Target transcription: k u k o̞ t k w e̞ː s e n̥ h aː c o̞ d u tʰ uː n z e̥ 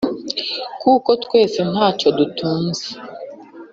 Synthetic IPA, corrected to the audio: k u k o̞ t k w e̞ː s e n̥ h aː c o̞ d u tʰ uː n z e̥